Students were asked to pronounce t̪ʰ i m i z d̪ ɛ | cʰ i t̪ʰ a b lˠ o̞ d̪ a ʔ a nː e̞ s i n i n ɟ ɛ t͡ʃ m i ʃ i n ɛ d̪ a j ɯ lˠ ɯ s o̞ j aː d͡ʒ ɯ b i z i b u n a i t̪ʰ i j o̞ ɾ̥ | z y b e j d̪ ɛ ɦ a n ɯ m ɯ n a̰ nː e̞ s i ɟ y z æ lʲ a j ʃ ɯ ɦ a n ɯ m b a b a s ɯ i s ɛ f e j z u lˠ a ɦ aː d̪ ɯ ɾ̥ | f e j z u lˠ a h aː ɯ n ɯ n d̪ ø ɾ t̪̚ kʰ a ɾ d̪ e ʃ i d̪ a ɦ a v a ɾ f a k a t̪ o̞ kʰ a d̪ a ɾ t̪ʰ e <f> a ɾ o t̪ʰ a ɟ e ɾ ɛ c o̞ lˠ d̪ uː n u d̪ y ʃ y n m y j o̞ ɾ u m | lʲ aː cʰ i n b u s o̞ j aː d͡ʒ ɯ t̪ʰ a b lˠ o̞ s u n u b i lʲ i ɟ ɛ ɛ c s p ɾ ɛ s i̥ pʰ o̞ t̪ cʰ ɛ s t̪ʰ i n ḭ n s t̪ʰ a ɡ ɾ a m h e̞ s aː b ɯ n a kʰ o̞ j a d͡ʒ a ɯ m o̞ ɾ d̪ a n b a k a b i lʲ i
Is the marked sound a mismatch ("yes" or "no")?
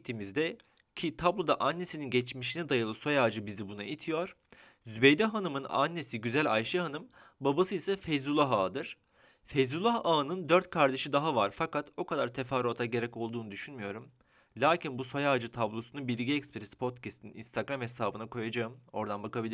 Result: no